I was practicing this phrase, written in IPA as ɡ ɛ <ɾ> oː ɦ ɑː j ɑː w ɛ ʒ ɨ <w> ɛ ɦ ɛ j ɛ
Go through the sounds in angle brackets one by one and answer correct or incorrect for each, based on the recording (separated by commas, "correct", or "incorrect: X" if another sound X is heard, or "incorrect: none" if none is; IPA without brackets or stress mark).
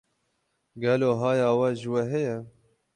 incorrect: l, correct